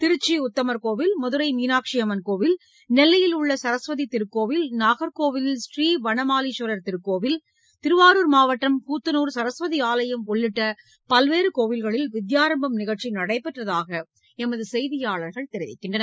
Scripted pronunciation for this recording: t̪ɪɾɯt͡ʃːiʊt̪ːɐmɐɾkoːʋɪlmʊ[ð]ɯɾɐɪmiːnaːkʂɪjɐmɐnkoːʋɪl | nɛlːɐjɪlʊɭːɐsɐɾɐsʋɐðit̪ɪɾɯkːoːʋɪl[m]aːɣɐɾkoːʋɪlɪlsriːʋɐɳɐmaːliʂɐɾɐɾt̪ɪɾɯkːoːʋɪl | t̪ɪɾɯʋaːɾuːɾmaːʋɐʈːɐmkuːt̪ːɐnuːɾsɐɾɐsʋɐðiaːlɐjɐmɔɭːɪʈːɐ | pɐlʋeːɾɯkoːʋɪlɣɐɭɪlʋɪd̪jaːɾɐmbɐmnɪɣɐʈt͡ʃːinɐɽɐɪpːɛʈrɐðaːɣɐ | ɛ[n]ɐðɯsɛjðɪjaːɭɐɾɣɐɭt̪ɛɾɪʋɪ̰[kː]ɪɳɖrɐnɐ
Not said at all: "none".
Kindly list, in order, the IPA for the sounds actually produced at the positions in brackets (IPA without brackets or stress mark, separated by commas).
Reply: ð, n, m, kː